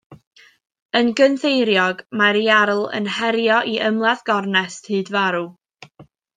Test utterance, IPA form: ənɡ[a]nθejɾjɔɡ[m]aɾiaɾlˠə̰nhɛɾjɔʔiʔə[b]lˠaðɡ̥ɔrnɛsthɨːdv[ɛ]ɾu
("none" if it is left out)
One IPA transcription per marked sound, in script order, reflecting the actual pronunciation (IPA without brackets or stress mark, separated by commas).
ə, m, m, a